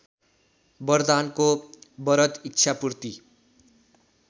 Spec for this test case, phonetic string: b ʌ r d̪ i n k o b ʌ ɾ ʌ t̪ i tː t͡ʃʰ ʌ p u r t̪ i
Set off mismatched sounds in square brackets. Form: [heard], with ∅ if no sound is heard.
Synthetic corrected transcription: b ʌ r d̪ [a] n k o b ʌ ɾ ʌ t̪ i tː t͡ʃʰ [a] p u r t̪ i